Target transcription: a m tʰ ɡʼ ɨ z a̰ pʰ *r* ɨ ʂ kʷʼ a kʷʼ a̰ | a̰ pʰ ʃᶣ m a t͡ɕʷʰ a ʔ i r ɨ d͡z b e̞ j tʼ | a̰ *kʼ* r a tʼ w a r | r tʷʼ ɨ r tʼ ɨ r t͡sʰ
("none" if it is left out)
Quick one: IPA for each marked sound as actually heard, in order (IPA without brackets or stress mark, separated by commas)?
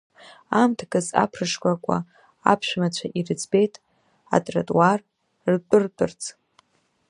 r, tʼ